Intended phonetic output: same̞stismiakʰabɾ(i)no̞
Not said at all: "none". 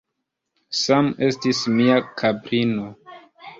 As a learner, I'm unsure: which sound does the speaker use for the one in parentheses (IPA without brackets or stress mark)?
i